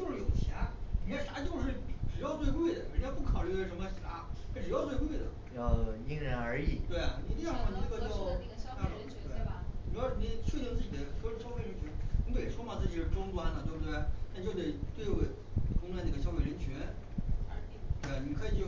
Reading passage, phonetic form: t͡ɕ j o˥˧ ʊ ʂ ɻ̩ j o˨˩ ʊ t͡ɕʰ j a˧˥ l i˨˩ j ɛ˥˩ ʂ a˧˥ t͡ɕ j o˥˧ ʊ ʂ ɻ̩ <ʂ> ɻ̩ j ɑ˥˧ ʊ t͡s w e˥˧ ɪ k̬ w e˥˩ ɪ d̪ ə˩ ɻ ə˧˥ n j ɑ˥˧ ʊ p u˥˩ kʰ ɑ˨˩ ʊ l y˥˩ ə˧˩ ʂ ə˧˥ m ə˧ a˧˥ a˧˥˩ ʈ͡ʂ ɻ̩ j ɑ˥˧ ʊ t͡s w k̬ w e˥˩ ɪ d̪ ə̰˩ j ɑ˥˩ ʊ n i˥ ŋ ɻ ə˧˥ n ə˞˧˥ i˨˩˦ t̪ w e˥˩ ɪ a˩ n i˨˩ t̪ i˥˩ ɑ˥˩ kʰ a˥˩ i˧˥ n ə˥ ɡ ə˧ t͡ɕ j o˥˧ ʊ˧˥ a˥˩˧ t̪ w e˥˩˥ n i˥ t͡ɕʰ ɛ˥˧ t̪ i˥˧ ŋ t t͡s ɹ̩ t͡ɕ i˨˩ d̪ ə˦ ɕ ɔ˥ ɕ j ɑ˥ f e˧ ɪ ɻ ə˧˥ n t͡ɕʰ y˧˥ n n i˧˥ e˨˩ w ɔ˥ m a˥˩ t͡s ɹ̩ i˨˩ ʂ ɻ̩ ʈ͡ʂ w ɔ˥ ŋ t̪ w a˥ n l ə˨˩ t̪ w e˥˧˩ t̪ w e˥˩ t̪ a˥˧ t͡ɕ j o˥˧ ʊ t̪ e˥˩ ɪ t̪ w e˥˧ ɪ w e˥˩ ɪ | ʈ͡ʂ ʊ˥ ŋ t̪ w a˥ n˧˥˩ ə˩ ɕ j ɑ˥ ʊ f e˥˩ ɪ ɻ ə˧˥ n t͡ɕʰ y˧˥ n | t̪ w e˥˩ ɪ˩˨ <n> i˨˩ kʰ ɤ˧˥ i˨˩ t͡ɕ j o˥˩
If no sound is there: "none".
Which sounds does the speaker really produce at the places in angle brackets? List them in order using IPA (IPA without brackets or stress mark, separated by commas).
ʈ͡ʂ, n